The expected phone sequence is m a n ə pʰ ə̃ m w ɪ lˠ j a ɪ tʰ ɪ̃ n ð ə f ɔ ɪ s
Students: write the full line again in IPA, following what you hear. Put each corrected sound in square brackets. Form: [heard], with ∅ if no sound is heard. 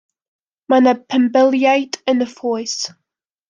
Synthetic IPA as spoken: m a n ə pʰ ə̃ m [b] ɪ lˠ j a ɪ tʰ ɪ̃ n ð ə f ɔ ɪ s